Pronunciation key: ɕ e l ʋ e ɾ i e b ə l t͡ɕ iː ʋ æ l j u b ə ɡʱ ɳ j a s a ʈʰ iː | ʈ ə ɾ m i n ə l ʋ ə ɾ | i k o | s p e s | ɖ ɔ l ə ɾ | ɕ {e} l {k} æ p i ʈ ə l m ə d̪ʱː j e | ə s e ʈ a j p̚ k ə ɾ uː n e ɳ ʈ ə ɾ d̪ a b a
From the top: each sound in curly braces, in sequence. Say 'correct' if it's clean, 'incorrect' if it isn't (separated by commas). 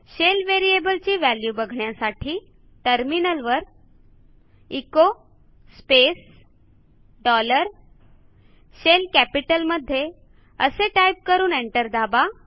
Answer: correct, correct